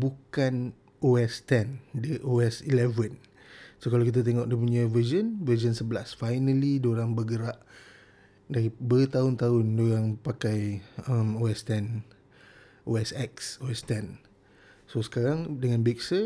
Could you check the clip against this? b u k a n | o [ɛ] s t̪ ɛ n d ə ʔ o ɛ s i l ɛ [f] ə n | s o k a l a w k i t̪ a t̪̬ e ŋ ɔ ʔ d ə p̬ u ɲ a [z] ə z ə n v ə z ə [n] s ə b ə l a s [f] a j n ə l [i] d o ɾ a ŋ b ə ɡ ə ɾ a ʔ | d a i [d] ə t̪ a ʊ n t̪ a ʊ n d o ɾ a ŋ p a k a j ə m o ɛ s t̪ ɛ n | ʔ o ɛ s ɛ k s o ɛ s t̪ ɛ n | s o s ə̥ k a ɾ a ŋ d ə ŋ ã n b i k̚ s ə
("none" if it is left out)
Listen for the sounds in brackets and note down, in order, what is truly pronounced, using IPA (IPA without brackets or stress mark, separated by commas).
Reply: ɛ, v, v, n, f, i, b